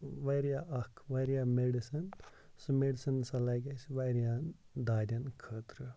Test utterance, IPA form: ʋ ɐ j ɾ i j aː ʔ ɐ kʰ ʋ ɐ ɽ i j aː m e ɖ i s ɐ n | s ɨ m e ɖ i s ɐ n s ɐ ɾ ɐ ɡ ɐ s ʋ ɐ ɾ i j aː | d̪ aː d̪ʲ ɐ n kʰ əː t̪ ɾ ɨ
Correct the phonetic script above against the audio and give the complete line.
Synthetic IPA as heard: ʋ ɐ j ɾ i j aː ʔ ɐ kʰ ʋ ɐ ɾ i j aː m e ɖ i s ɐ n | s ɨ m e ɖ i s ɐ n s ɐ l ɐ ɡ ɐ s ʋ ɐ ɾ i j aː | d̪ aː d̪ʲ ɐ n kʰ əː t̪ ɾ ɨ